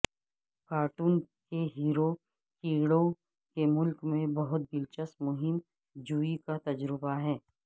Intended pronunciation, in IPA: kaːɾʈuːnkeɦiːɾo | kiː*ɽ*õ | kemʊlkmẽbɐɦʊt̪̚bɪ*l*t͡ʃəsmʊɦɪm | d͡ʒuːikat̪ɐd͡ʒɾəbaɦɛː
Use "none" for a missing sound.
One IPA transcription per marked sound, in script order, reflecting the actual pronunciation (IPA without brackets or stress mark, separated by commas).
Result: ɽ, l